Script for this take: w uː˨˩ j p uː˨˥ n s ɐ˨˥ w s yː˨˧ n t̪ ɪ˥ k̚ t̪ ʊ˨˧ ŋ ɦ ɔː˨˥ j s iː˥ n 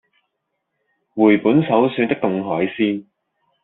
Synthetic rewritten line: w uː˨˩ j p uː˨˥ n s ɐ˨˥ w s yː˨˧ n t̪ ɪ˥ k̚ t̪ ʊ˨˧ ŋ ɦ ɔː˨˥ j s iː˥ n